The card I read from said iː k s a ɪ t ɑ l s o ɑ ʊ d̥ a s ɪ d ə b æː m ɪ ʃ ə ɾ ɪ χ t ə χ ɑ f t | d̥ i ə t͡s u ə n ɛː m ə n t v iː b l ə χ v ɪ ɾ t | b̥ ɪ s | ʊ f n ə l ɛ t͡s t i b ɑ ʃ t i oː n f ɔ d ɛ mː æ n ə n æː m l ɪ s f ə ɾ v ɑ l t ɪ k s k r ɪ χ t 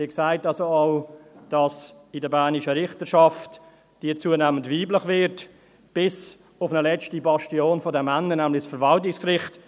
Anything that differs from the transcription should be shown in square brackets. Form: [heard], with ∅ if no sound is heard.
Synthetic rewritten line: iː k s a ɪ t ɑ l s o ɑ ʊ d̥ [ɑ] s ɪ d ə b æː [n] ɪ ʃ ə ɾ ɪ χ t ə [ʃ] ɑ f t | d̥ i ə t͡s u ə n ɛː m ə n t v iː b l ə χ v ɪ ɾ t | b̥ ɪ s | ʊ f n ə l ɛ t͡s t i b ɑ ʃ t i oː n f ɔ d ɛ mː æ n ə n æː m l ɪ s f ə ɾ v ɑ l t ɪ k s k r ɪ χ t